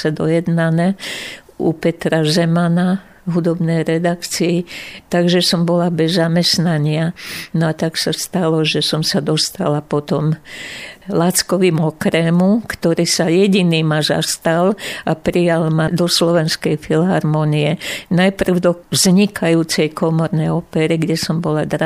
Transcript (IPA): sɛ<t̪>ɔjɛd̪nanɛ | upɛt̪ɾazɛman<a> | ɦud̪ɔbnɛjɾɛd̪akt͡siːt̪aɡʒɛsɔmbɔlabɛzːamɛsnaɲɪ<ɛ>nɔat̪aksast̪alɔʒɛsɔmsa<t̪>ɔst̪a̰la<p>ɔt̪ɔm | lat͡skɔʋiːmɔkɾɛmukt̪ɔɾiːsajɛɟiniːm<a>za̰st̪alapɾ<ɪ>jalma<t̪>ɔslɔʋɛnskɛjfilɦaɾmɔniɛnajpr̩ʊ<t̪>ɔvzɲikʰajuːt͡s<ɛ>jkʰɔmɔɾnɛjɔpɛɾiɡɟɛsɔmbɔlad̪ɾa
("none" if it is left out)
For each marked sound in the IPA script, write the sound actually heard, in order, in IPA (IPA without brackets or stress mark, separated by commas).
d̪, a, a, d̪, p, a, i, d̪, d̪, ɛ